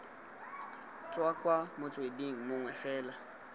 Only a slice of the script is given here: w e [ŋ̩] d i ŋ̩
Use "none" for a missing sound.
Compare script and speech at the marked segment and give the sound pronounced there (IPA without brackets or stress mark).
none